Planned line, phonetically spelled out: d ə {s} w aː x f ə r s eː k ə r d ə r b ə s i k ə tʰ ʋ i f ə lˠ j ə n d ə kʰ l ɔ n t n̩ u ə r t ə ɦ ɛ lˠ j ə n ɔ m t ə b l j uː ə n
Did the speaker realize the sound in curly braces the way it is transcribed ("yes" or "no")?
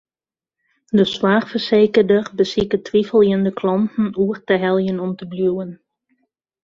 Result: yes